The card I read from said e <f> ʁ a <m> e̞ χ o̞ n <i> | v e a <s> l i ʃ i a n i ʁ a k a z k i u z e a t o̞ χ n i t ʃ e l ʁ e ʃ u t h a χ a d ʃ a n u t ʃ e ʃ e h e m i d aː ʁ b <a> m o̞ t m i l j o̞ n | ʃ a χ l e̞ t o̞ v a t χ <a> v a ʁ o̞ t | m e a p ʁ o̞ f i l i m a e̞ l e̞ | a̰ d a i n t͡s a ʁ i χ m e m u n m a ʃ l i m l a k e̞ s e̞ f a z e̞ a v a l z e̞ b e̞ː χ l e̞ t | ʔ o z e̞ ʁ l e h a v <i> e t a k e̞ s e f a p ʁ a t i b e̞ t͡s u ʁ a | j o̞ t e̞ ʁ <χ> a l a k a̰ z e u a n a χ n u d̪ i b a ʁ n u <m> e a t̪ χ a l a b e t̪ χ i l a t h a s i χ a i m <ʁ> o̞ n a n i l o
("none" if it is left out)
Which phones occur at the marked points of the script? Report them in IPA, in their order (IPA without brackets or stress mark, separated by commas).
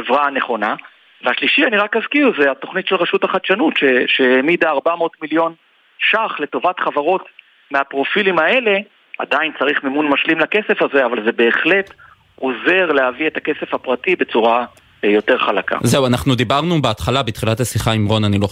v, n, a, ʃ, a, a, i, χ, b, ʁ